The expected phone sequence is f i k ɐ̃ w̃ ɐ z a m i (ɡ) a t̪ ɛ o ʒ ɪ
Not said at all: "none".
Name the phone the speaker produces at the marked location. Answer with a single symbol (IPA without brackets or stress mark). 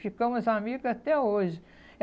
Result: ɡ